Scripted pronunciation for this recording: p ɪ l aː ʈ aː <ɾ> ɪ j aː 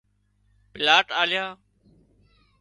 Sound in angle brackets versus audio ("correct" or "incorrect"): incorrect